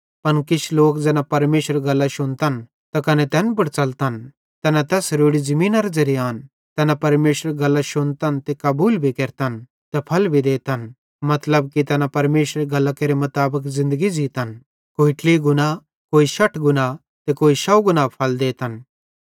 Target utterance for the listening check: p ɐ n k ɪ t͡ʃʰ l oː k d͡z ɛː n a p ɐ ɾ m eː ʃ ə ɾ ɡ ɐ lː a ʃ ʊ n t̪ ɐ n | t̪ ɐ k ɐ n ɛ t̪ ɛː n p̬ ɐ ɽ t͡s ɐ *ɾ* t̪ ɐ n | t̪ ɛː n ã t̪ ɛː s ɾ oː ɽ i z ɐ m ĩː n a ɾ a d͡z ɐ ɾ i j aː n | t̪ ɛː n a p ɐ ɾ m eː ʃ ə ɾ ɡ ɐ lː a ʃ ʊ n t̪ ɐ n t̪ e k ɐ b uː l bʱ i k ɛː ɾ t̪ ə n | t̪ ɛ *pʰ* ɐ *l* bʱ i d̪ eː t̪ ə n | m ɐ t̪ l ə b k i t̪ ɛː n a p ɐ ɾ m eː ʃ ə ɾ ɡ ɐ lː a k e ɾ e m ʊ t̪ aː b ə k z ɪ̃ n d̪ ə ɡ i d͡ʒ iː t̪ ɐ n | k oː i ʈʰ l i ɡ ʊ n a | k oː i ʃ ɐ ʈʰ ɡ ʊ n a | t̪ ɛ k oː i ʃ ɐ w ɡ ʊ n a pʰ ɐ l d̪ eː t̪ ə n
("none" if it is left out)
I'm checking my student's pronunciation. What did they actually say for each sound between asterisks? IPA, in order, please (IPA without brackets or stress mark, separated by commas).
l, pʰ, l